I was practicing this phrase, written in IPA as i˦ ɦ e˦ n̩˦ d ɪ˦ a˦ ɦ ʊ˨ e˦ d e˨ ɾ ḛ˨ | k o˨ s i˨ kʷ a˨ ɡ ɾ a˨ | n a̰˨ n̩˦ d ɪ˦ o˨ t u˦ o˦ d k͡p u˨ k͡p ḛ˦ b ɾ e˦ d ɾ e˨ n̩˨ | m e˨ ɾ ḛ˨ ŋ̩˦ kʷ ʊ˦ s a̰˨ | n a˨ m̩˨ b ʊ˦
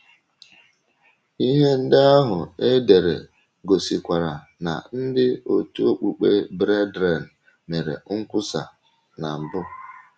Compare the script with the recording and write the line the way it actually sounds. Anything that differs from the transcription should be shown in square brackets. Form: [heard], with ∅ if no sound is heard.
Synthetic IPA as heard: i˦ ɦ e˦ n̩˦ d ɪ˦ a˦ ɦ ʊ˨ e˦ d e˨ ɾ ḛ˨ | [ɡ] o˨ s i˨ kʷ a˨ [∅] ɾ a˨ | n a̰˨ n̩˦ d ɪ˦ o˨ t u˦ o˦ [∅] k͡p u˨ k͡p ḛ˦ b ɾ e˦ d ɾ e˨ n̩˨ | m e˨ ɾ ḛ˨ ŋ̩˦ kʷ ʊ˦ s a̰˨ | n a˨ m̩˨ b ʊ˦